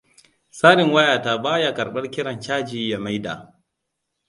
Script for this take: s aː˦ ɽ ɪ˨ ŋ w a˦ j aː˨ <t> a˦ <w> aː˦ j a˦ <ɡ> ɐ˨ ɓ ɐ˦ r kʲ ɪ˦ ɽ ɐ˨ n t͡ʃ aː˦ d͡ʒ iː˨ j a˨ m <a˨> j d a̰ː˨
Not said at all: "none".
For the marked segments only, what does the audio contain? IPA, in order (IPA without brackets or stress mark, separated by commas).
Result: t, b, k, a˦